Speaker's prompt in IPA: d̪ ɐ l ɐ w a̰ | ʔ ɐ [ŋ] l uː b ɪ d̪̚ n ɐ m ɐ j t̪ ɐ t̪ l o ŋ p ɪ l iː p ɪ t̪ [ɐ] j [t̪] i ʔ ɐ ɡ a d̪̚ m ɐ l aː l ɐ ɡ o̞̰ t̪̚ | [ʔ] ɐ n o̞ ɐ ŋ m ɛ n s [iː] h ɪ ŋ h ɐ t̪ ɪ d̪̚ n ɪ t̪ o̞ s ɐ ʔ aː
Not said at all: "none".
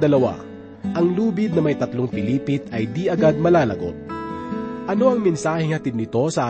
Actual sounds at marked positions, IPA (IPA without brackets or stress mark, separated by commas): ŋ, ɐ, d̪, ʔ, aː